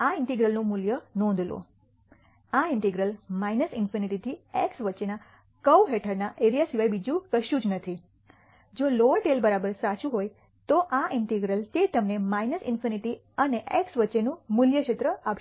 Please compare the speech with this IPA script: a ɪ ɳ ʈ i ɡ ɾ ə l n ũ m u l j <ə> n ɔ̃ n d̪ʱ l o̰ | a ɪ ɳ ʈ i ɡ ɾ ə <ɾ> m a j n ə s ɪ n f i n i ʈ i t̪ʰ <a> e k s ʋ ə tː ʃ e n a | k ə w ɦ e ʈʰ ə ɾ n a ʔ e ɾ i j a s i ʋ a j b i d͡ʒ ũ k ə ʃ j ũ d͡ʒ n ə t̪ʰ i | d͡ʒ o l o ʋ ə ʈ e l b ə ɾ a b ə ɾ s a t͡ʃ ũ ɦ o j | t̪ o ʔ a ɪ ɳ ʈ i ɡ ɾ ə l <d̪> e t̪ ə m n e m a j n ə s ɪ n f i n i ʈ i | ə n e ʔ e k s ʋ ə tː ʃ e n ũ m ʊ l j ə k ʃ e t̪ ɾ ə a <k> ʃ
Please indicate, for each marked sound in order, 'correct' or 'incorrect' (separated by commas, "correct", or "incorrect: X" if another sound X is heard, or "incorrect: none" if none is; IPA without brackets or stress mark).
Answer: correct, incorrect: l, incorrect: i, incorrect: t̪, incorrect: p